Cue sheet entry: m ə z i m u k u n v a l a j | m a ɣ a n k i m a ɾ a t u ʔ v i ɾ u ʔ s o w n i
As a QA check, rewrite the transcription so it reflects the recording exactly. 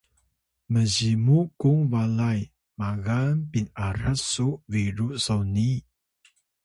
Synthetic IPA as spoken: m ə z i m u k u ŋ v a l a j | m a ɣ a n p i n a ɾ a s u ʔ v i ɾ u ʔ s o w n i